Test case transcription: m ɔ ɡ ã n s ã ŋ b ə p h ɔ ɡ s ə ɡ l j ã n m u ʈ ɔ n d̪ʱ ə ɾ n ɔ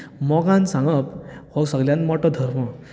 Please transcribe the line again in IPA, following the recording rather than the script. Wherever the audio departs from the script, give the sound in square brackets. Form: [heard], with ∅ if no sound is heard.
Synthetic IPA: m ɔ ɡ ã n s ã ŋ [ɡ] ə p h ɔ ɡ s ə ɡ l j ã n m [ɔ] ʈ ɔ [∅] d̪ʱ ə ɾ [m] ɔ